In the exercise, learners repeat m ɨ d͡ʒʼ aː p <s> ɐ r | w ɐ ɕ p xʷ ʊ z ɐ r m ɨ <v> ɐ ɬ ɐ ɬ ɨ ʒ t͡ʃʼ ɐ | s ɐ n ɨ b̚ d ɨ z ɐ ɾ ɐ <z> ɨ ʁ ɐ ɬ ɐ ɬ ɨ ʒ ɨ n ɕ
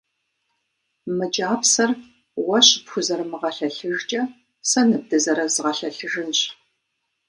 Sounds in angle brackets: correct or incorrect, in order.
correct, incorrect: ʁ, correct

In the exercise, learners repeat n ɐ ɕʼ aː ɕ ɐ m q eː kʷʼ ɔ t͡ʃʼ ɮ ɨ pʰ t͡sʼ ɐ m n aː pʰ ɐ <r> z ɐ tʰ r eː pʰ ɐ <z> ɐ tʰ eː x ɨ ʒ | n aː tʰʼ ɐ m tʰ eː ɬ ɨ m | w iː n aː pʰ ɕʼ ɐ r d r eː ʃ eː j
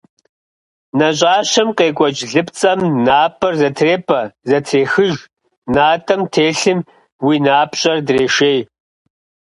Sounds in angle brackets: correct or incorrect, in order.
correct, correct

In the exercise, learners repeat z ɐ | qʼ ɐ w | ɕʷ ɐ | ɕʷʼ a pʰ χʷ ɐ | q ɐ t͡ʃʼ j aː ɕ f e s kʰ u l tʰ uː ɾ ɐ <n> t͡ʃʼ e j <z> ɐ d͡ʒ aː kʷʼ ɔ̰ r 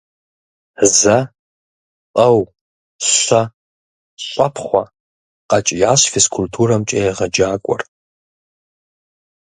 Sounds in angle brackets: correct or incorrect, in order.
incorrect: m, incorrect: ʁ

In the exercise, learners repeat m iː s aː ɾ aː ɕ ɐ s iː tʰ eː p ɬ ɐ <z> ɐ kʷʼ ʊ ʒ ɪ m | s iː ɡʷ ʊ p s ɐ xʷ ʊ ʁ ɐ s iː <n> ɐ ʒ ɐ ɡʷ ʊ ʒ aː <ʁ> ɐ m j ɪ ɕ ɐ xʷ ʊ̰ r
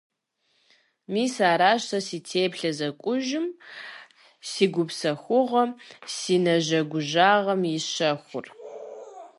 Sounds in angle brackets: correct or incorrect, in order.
correct, correct, correct

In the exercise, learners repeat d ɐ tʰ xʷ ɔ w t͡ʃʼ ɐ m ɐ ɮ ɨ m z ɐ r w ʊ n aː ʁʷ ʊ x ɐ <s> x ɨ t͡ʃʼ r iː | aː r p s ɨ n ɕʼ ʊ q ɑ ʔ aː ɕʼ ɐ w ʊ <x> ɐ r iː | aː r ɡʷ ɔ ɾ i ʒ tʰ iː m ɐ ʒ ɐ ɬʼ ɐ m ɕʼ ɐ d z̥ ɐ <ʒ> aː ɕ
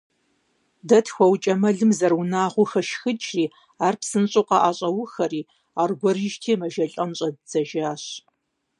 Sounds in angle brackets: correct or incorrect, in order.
incorrect: ʃ, correct, correct

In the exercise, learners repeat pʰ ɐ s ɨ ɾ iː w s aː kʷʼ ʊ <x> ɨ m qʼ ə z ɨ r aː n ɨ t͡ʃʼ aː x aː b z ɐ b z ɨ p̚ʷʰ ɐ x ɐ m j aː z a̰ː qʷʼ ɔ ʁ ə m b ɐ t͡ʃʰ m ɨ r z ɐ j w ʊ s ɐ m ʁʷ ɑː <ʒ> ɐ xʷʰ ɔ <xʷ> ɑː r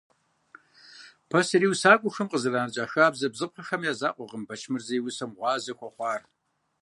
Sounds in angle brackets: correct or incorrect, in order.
correct, incorrect: z, incorrect: χʷ

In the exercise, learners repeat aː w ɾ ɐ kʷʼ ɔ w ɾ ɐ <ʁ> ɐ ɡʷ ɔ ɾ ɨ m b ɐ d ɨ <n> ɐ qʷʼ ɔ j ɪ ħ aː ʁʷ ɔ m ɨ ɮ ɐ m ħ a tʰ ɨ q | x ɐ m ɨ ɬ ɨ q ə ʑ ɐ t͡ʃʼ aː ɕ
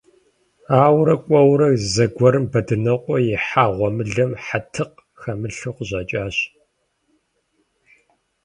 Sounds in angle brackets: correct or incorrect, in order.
incorrect: z, correct

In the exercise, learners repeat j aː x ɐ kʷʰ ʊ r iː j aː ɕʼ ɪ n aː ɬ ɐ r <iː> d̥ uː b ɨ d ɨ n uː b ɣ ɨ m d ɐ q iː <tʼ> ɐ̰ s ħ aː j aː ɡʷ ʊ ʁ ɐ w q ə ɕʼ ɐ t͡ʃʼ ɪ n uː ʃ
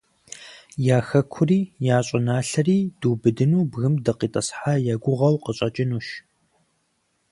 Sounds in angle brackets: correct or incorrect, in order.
correct, correct

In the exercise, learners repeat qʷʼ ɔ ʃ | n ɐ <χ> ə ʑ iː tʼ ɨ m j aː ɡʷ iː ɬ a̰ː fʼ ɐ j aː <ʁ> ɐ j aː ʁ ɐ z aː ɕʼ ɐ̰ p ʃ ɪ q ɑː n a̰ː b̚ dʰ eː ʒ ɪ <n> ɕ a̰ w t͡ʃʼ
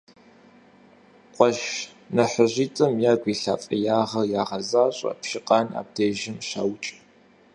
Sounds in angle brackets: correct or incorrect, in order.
incorrect: ħ, correct, incorrect: m

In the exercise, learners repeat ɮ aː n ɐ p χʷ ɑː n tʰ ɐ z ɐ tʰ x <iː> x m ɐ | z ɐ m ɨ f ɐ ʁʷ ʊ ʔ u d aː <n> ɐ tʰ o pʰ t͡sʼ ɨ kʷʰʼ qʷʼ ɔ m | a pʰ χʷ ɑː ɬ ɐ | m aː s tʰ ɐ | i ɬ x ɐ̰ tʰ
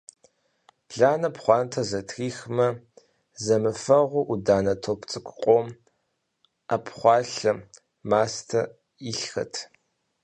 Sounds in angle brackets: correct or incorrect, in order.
correct, correct

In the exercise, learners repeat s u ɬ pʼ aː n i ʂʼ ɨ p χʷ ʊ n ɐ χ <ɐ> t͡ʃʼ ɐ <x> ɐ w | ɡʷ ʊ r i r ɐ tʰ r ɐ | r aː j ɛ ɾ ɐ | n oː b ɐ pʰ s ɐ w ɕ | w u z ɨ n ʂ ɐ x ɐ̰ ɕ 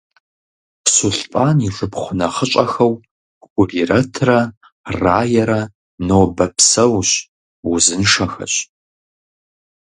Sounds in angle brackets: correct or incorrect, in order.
incorrect: ə, correct

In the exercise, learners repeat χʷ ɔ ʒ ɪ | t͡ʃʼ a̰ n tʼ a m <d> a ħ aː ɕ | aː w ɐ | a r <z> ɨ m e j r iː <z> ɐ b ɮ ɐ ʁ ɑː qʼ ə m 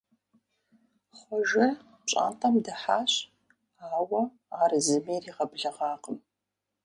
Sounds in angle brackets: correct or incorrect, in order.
correct, correct, incorrect: ʁ

